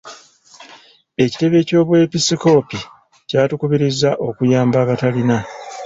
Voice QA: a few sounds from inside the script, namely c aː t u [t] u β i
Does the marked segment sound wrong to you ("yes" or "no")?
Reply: yes